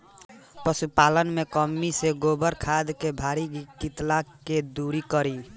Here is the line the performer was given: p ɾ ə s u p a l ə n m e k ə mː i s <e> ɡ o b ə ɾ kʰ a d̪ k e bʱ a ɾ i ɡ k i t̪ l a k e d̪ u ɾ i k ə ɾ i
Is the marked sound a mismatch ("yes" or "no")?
no